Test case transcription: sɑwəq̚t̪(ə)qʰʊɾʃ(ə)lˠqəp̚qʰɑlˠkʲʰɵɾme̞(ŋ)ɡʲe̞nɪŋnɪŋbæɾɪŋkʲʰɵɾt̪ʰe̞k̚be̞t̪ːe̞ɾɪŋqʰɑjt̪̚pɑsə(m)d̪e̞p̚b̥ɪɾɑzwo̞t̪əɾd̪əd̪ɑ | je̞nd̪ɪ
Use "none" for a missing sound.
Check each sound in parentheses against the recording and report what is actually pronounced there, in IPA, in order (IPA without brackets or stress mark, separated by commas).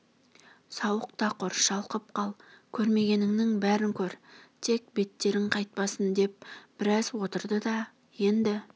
ɑ, ɑ, none, n